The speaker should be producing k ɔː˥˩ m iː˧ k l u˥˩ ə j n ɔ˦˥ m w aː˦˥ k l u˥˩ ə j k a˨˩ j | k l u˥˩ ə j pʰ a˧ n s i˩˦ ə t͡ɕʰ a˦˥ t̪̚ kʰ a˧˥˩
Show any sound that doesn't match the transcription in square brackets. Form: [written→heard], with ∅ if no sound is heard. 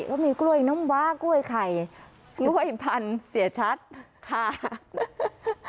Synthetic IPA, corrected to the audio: k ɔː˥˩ m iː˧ k l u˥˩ ə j n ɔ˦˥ m w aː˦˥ k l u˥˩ ə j [k→kʰ] a˨˩ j | k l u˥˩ ə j pʰ a˧ n s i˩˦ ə t͡ɕʰ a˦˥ t̪̚ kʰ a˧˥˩